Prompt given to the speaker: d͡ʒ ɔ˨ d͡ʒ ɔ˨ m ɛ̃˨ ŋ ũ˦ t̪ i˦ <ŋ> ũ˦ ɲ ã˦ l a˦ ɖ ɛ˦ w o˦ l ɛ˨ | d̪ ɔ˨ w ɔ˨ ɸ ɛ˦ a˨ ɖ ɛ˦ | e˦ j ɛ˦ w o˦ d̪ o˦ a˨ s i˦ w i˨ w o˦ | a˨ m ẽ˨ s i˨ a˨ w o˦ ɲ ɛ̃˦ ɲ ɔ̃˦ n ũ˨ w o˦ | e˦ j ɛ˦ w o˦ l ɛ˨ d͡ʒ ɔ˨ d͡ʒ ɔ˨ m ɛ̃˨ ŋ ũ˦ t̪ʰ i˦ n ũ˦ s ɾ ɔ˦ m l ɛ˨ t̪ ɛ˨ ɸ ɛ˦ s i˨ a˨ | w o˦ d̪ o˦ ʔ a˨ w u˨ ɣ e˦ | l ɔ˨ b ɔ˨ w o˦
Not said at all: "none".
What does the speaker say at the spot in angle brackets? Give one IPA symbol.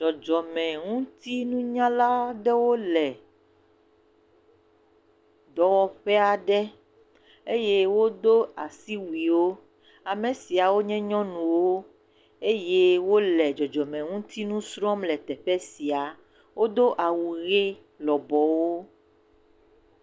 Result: n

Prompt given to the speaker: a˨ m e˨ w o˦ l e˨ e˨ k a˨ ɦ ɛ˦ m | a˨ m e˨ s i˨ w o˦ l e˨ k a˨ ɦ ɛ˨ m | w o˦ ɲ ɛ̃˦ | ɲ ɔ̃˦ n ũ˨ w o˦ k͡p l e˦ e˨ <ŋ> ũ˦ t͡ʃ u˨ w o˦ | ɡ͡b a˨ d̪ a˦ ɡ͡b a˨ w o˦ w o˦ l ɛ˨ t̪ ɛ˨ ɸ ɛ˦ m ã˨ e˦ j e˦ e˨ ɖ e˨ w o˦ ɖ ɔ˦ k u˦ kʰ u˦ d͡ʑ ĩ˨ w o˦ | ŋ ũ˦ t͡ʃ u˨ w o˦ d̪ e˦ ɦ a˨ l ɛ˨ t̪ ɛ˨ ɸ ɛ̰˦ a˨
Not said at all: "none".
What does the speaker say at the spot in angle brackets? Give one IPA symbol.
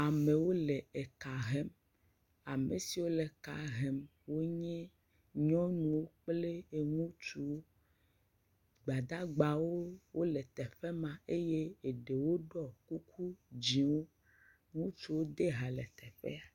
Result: ŋ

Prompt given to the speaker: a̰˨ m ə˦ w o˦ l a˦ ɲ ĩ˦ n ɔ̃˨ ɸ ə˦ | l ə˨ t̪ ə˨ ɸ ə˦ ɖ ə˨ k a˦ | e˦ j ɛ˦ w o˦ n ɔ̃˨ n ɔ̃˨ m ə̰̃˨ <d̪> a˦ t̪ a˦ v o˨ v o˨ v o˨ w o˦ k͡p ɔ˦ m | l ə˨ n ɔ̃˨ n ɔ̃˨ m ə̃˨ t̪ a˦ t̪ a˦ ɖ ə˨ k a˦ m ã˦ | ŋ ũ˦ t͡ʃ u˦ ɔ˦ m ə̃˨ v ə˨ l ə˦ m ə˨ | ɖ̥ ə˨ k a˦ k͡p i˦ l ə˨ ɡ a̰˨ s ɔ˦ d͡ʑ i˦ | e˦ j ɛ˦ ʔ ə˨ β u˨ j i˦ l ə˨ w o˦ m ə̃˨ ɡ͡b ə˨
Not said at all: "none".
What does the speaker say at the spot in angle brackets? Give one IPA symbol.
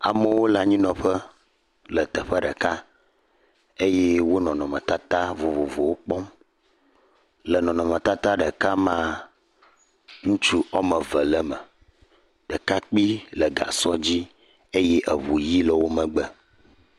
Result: t̪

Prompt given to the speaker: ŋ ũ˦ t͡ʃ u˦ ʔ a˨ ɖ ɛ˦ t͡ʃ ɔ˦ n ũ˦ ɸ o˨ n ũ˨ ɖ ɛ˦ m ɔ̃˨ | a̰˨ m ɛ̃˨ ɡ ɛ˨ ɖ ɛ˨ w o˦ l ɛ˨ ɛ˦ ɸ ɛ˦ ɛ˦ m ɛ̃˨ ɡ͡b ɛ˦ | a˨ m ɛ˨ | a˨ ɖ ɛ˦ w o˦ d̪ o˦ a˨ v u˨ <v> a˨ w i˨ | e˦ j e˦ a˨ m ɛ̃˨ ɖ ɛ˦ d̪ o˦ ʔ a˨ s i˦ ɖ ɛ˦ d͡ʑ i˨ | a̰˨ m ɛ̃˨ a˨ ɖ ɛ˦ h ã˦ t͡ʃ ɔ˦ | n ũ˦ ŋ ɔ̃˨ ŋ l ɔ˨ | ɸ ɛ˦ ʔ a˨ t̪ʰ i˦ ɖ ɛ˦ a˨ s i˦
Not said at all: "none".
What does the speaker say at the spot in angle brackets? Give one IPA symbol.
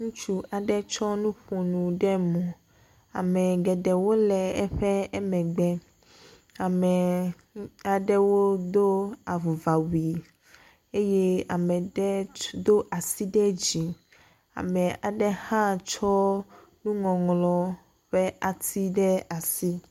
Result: v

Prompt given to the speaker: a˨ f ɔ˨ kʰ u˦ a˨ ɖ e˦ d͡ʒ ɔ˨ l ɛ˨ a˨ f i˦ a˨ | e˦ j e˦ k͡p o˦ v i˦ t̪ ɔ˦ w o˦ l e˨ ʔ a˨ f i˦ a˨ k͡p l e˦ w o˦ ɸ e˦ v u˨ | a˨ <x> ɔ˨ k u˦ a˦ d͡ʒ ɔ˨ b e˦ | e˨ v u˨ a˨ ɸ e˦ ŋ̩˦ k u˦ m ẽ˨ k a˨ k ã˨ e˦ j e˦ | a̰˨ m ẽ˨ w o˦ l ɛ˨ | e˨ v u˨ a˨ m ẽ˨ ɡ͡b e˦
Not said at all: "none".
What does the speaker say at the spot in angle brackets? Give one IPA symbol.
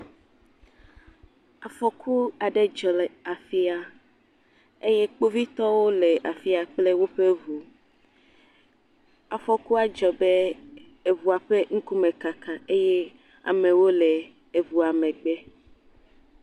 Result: f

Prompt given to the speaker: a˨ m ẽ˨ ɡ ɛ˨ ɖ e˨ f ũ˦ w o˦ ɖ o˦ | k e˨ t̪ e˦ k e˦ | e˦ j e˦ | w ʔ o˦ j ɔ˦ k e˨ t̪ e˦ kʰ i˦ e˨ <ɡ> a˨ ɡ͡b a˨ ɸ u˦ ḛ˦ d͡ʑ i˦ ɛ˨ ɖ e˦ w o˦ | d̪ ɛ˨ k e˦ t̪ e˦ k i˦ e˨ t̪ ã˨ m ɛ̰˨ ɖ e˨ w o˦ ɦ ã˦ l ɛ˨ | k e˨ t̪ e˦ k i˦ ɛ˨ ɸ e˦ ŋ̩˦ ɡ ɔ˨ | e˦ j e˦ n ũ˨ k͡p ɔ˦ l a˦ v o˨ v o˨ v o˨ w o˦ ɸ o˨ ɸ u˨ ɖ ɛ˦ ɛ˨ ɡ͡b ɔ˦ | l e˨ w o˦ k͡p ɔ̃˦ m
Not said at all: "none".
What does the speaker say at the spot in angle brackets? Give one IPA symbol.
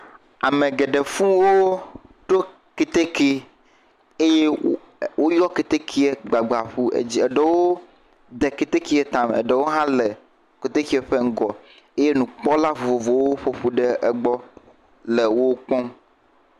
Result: ɡ͡b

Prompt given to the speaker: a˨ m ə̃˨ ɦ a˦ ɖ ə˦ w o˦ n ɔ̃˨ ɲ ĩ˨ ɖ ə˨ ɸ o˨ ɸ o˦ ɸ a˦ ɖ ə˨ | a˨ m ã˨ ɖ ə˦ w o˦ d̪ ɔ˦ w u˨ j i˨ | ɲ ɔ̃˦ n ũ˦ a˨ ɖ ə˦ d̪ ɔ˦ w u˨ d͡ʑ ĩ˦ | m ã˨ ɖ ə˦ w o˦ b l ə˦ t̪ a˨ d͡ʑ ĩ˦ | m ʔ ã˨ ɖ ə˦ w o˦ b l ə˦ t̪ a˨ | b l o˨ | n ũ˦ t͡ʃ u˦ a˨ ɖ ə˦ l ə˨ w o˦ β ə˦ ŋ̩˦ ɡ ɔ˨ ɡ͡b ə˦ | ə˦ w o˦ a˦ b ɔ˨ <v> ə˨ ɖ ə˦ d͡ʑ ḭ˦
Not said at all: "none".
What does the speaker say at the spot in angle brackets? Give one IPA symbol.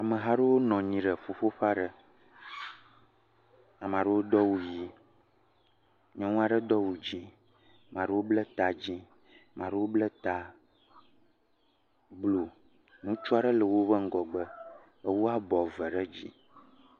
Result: v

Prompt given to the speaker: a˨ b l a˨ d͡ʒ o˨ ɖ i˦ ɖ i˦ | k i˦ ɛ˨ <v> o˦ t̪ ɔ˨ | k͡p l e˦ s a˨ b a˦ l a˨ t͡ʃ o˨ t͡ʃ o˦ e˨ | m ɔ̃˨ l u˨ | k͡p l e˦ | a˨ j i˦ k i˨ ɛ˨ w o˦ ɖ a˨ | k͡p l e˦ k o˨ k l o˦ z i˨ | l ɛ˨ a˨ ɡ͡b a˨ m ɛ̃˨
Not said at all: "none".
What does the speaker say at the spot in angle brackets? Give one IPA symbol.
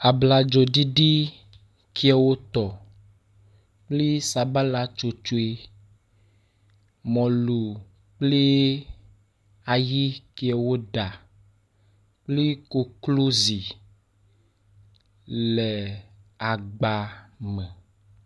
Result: w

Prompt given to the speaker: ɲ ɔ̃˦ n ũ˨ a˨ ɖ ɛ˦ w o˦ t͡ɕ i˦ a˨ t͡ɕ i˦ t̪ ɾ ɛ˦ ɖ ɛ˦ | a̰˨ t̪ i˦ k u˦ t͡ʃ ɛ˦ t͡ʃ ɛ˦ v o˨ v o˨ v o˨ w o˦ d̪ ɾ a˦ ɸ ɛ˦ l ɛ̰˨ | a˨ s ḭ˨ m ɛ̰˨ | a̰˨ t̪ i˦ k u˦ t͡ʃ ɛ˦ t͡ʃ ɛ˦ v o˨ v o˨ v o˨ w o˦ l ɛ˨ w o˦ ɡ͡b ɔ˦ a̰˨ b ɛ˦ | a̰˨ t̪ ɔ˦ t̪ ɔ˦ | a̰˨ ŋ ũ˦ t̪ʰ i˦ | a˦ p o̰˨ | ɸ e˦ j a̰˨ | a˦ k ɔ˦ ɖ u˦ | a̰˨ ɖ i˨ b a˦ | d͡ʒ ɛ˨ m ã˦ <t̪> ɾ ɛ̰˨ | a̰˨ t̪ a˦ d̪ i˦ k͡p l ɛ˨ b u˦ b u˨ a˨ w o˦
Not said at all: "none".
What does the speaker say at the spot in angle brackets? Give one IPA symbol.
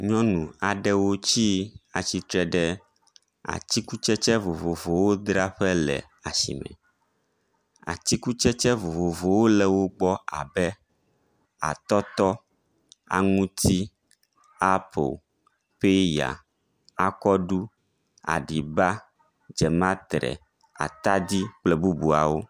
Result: t̪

